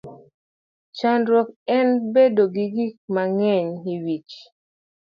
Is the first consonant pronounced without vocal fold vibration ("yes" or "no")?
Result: yes